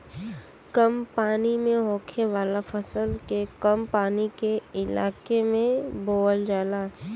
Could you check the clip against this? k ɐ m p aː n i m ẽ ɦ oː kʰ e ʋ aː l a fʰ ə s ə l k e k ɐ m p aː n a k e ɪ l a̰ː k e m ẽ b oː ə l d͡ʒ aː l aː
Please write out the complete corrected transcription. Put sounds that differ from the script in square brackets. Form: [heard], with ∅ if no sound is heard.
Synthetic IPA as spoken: k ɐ m p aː n i m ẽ ɦ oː kʰ e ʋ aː l a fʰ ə s ə l k e k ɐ m p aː n [i] k e ɪ l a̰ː k e m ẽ b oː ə l d͡ʒ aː l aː